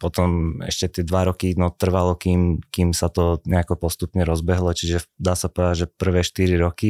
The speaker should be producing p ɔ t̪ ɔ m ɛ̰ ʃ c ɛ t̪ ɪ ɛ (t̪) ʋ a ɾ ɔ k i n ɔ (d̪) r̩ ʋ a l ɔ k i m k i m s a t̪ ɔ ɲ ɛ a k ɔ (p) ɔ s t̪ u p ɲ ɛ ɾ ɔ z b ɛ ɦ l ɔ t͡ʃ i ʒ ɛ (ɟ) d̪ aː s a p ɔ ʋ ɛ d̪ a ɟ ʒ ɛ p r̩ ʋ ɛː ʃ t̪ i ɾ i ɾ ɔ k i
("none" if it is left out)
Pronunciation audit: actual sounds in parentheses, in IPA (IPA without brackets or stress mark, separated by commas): d̪, t̪, p, none